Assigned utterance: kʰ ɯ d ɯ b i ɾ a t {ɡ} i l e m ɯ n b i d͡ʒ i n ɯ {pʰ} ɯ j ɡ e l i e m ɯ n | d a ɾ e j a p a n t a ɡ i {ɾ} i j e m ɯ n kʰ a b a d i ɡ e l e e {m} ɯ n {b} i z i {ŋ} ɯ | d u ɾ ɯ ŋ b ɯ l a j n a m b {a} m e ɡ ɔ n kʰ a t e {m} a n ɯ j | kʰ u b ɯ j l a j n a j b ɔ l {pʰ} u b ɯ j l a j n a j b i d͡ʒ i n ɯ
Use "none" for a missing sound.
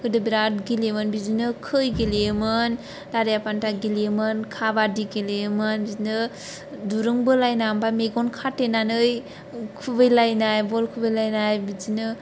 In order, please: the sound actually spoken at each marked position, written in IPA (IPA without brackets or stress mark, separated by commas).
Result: ɡ, kʰ, l, m, b, n, a, n, kʰ